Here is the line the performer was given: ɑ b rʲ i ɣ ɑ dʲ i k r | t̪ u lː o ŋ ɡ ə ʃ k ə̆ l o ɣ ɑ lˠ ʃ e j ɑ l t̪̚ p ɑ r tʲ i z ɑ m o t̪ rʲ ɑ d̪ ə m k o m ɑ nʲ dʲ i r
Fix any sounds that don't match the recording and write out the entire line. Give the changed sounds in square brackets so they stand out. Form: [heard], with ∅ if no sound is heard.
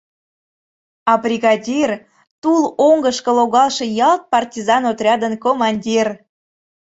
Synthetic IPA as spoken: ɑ b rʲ i ɣ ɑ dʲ i [∅] r | t̪ u [l] o ŋ ɡ ə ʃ k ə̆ l o ɣ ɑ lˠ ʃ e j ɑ l t̪̚ p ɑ r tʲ i z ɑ [n] o t̪ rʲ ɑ d̪ ə [n] k o m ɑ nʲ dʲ i r